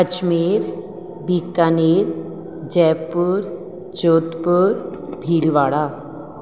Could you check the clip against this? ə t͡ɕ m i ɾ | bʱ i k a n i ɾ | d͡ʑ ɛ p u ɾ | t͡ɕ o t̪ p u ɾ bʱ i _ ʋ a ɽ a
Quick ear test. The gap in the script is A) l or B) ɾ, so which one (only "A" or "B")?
A